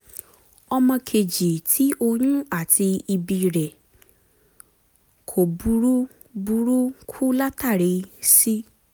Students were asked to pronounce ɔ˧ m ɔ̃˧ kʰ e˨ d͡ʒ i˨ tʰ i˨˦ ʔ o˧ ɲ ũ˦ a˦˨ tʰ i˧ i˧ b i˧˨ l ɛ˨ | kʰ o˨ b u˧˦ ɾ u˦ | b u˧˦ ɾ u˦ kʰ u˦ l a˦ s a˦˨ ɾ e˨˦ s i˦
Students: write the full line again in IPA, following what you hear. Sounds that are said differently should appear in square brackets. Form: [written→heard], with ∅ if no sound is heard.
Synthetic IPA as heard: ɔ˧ m ɔ̃˧ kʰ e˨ d͡ʒ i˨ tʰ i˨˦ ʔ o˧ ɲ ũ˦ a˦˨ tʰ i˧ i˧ b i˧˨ [l→ɾ] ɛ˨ | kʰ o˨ b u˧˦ ɾ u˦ | b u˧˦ ɾ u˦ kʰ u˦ l a˦ [s→t] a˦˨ ɾ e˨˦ s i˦

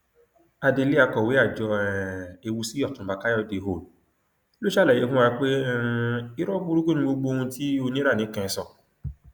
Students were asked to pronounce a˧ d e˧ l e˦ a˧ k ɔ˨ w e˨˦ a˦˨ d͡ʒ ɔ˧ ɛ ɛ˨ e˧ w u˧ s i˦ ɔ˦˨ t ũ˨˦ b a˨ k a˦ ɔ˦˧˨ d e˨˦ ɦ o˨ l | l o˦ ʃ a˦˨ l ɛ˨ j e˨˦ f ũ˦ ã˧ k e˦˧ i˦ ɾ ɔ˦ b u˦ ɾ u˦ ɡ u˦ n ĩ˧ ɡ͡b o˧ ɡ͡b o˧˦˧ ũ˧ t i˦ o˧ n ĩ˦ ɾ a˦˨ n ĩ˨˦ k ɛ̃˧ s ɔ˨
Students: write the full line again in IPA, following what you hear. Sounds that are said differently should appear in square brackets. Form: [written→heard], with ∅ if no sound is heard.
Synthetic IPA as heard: a˧ d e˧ l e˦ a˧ k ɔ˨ w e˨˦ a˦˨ d͡ʒ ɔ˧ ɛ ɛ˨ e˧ w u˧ s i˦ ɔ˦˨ t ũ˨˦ b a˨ k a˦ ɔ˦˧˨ d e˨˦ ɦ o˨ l | l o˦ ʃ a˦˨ l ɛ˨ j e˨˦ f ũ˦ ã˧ [k→k͡p] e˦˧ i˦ ɾ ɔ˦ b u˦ ɾ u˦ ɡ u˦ n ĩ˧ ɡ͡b o˧ ɡ͡b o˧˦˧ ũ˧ t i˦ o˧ n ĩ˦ ɾ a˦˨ n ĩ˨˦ k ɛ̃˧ s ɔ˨

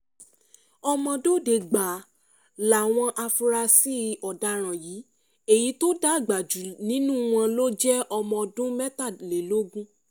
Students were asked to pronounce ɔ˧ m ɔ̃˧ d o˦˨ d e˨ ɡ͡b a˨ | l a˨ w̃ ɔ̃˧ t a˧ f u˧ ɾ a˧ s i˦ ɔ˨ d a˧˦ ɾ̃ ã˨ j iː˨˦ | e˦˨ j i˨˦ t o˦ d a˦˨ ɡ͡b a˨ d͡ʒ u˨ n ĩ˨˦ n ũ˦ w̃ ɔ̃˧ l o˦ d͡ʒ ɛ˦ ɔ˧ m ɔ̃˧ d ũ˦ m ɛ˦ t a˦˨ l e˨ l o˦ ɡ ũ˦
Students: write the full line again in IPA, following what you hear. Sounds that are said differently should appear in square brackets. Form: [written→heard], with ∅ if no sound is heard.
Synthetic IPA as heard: ɔ˧ m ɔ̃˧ d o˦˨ d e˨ ɡ͡b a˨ | l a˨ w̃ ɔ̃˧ [t→ʔ] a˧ f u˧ ɾ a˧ s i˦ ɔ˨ d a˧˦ ɾ̃ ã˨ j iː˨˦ | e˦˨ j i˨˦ t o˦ d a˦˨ ɡ͡b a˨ d͡ʒ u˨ n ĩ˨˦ n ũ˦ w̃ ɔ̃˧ l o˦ d͡ʒ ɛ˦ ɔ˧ m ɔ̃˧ d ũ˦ m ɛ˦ t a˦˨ l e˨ l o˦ ɡ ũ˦

